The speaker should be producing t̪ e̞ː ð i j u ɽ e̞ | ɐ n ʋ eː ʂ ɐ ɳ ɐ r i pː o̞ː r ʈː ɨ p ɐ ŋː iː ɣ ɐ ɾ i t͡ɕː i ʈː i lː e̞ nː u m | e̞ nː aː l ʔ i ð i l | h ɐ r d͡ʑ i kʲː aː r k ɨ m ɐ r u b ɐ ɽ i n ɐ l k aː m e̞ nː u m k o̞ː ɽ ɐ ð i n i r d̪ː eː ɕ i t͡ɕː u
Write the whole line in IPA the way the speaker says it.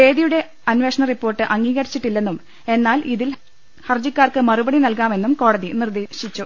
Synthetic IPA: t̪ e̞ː ð i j u ɽ e̞ | ɐ n ʋ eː ʂ ɐ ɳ ɐ r i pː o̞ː r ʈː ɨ ʔ ɐ ŋː iː ɣ ɐ ɾ i t͡ɕː i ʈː i lː e̞ nː u m | e̞ nː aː l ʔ i ð i l | h ɐ r d͡ʑ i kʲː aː r k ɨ m ɐ r u b ɐ ɽ i n ɐ l k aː m e̞ nː u m k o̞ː ɽ ɐ ð i n i r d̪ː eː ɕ i t͡ɕː u